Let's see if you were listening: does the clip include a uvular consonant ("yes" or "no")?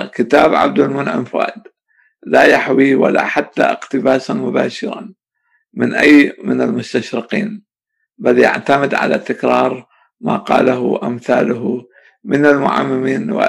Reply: yes